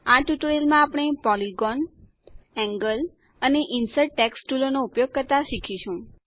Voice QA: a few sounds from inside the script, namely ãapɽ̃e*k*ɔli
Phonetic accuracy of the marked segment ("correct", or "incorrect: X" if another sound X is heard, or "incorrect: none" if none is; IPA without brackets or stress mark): incorrect: p